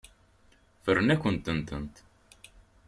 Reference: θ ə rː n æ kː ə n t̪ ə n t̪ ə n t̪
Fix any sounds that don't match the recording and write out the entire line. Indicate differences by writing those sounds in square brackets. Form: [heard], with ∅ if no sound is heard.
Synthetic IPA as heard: [f] ə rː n æ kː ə n t̪ ə n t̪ ə n t̪

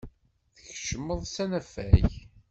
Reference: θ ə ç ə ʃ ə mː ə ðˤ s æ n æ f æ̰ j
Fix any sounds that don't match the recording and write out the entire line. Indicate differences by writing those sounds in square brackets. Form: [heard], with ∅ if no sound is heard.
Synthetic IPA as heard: θ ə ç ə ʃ ə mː ə ðˤ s æ n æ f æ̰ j

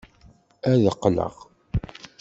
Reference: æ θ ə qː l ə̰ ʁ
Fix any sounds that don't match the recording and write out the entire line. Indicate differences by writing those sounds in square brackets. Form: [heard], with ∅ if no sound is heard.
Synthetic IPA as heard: æ [ð] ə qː l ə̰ ʁ

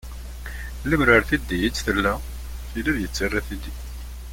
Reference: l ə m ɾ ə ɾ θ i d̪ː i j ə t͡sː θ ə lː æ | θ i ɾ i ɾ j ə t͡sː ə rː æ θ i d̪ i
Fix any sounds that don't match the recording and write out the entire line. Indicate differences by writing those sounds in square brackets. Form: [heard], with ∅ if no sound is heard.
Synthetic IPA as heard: l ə m ɾ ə ɾ θ i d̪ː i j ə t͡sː θ ə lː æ | θ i [l] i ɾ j ə t͡sː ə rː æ θ i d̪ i

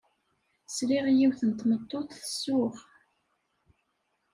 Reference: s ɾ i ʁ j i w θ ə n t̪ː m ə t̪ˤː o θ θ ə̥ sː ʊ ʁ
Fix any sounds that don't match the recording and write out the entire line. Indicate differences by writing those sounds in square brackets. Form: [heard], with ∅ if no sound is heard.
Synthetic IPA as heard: s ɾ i ʁ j i w θ ə n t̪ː m ə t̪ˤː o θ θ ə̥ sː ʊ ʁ

